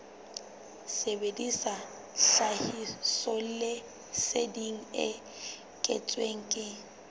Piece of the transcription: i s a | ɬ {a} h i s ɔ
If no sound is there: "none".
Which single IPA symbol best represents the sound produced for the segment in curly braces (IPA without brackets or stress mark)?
a